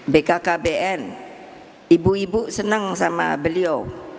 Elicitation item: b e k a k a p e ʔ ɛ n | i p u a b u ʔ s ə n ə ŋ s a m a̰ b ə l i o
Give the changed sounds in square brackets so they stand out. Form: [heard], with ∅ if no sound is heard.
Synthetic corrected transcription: b e k a k a [b] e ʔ ɛ n | i [b] u [i] b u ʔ s ə n ə ŋ s a m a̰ b ə l i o